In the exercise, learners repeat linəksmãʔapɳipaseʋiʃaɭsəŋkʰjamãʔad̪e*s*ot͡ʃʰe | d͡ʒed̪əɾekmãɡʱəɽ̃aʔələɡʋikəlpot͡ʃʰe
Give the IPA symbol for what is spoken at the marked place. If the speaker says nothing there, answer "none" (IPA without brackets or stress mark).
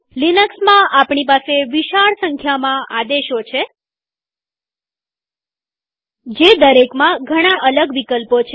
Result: ʃ